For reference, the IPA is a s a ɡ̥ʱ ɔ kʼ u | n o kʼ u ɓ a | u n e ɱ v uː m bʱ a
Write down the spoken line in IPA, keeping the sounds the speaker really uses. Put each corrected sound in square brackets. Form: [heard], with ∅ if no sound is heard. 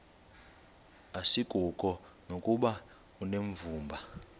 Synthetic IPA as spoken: a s [i] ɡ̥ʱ [u] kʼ [ɔ] | n o kʼ u ɓ a | u n e ɱ v uː m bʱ a